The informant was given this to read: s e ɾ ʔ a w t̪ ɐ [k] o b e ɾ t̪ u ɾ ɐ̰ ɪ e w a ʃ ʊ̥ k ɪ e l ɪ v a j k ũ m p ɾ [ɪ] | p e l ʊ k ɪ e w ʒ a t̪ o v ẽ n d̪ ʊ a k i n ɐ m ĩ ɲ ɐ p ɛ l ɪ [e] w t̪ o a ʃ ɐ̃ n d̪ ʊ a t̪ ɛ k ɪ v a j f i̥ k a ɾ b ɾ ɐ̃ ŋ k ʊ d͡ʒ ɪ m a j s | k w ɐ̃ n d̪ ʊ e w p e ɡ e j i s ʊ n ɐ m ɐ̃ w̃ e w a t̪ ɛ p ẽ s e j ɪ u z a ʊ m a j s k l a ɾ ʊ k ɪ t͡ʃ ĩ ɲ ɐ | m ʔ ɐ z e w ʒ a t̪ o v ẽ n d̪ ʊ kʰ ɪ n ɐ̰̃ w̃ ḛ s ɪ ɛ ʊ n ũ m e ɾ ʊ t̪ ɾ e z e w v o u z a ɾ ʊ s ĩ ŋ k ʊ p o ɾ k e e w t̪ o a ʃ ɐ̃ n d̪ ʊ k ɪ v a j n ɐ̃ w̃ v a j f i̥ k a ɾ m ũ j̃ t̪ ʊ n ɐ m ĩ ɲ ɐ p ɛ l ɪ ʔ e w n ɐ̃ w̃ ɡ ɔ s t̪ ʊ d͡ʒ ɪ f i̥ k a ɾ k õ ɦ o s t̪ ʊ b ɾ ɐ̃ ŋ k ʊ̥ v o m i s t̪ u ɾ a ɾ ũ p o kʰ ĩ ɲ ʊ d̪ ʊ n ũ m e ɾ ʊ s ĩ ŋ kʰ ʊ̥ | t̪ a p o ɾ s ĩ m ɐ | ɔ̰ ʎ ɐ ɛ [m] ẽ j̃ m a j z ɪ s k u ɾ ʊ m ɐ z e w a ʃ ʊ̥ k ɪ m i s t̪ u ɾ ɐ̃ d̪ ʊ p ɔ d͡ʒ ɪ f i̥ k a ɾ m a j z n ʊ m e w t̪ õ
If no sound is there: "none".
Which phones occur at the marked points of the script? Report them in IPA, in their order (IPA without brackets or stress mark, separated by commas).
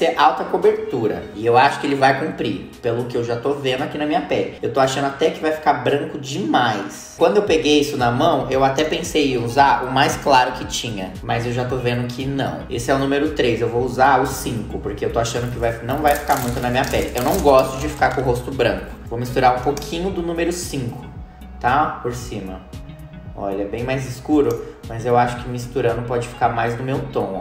k, i, e, b